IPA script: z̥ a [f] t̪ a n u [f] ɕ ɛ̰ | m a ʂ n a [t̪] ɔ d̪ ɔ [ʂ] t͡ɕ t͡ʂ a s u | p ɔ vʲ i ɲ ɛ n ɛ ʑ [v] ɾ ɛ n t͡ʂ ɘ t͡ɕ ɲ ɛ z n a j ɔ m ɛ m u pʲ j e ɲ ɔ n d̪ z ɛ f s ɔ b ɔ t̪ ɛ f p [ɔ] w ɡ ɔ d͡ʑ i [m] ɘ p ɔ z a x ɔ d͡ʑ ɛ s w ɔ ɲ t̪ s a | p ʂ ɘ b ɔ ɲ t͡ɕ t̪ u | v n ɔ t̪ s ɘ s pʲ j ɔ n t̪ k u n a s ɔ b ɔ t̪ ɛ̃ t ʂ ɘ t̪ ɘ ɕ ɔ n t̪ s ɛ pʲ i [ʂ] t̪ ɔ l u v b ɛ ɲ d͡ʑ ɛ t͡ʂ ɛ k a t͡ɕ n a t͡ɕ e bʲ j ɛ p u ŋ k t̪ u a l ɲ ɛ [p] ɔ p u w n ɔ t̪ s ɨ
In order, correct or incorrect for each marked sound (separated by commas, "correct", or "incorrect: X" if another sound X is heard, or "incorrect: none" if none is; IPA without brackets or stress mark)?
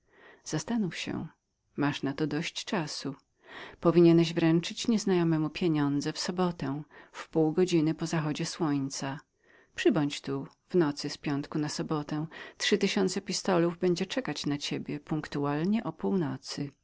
incorrect: s, correct, correct, incorrect: ɕ, correct, incorrect: u, incorrect: n, incorrect: s, incorrect: ʔ